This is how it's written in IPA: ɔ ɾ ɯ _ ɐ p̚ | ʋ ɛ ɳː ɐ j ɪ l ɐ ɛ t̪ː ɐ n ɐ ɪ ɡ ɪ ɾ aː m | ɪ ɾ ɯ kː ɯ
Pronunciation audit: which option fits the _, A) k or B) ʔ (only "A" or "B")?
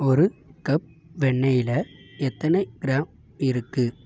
A